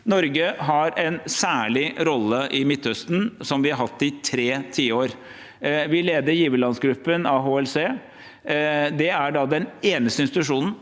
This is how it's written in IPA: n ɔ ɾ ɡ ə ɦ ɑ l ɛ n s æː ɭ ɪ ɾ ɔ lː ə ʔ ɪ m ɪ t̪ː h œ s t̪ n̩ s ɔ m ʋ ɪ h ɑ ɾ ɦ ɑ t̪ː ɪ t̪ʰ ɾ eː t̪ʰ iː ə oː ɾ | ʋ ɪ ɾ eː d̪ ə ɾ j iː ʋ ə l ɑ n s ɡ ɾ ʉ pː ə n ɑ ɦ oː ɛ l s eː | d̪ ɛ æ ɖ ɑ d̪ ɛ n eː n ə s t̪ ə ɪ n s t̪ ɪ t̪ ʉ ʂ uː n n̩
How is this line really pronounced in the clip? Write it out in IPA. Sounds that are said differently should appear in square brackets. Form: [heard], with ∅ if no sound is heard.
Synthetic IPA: n ɔ ɾ ɡ ə ɦ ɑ [ɾ] ɛ n s æː ɭ ɪ ɾ ɔ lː ə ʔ ɪ m ɪ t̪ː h œ s t̪ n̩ s ɔ m ʋ ɪ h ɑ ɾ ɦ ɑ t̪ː ɪ t̪ʰ ɾ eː t̪ʰ iː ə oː ɾ | ʋ ɪ [l] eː d̪ ə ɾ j iː ʋ ə l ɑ n s ɡ ɾ ʉ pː ə n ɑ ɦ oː ɛ l s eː | d̪ ɛ æ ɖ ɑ d̪ ɛ n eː n ə s t̪ ə ɪ n s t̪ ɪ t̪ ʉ ʂ uː n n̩